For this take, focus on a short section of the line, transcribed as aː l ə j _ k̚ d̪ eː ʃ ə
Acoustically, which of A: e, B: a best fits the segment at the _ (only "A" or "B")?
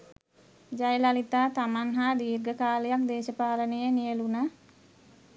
B